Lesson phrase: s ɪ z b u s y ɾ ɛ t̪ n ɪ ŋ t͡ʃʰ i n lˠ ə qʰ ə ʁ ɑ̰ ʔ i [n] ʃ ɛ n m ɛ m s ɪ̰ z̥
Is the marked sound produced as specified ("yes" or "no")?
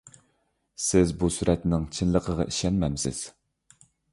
no